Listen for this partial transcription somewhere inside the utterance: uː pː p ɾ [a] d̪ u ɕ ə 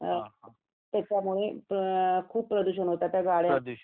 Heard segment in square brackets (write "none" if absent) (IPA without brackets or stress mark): ə